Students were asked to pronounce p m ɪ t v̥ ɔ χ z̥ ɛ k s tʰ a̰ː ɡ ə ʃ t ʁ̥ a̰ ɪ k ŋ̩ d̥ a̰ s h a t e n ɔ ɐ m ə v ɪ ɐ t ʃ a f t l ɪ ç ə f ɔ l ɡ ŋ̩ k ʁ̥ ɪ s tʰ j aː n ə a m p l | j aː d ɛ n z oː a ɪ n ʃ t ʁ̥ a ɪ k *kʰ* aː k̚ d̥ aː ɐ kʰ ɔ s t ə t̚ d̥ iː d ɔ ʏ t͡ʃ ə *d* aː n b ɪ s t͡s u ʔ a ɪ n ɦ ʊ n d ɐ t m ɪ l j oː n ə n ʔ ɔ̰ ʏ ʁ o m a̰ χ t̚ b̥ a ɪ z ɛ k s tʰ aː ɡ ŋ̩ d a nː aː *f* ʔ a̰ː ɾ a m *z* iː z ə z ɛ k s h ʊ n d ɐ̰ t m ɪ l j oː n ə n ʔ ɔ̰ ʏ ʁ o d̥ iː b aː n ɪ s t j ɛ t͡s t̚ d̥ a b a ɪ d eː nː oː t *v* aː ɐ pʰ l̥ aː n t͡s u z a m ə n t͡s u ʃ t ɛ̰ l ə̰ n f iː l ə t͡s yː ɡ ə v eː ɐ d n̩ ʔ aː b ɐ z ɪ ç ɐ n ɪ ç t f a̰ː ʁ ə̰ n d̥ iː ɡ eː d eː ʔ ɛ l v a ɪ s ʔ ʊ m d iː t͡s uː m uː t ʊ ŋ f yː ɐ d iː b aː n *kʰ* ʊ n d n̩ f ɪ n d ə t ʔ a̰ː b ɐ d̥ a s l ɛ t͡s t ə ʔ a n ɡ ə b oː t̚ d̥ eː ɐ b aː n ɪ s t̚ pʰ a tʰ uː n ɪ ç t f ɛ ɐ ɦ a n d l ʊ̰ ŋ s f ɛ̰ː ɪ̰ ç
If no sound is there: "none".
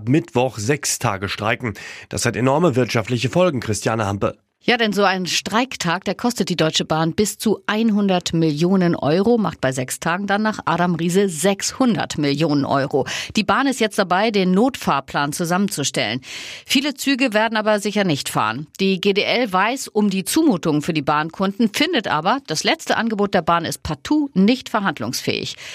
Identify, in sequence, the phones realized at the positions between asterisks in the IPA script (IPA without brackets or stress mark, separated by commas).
tʰ, b, χ, ʁ, f, kʰ